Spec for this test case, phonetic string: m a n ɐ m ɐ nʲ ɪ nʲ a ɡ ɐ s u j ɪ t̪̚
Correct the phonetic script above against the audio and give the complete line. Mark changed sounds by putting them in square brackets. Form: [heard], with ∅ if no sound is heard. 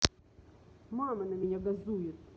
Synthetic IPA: m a [m] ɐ [n] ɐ [mʲ] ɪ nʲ a ɡ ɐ [z] u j ɪ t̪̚